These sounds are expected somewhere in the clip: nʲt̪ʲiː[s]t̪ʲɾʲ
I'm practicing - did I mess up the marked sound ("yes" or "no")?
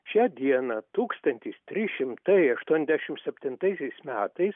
no